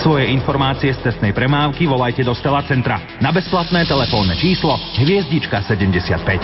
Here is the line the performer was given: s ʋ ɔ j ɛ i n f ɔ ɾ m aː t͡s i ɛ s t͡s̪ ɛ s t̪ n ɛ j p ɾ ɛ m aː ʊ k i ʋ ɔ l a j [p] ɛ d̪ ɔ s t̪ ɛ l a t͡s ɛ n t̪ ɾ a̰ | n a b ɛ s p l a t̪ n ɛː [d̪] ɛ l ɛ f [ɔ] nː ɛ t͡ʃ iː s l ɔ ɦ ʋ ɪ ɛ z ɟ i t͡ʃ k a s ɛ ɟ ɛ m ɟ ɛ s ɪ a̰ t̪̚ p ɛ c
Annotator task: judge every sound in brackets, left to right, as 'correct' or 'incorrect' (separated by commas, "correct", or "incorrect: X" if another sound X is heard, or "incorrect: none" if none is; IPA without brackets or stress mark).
incorrect: c, incorrect: t̪, incorrect: ɔː